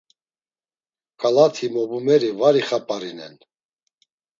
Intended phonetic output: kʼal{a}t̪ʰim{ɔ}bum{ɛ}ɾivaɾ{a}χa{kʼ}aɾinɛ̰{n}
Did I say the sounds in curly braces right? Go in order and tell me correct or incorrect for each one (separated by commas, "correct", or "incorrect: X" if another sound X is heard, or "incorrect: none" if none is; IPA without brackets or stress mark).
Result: correct, correct, correct, incorrect: i, incorrect: pʼ, correct